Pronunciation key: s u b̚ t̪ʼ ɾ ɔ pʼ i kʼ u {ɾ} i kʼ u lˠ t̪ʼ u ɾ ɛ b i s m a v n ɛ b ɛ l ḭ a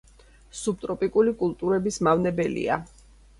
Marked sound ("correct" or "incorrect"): incorrect